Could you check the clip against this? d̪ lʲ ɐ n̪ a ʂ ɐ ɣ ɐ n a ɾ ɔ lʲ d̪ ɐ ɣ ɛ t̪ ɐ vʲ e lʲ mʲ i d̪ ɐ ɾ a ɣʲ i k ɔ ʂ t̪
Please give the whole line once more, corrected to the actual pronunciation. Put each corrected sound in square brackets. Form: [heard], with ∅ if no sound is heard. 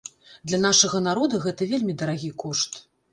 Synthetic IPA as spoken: d̪ lʲ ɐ n̪ a ʂ ɐ ɣ ɐ n a ɾ ɔ [∅] d̪ ɐ ɣ ɛ t̪ ɐ vʲ e lʲ mʲ i d̪ ɐ ɾ a ɣʲ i k ɔ ʂ t̪